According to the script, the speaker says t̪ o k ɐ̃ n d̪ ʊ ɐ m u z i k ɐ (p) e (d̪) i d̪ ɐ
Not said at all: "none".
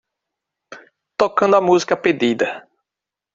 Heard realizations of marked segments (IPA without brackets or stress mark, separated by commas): p, d̪